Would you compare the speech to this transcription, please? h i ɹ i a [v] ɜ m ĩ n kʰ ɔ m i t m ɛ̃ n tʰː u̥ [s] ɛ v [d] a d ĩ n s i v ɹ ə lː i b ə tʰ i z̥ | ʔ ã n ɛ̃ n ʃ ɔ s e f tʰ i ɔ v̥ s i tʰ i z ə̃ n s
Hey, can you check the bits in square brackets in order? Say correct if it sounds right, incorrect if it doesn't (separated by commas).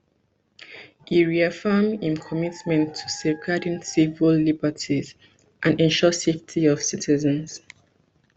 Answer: incorrect, correct, incorrect